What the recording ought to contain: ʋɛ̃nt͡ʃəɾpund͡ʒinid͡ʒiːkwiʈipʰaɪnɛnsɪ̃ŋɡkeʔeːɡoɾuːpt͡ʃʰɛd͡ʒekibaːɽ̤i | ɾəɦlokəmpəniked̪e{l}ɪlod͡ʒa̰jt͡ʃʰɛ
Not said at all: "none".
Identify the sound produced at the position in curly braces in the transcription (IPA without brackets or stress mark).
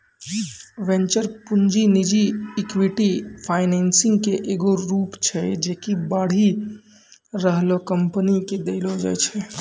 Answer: none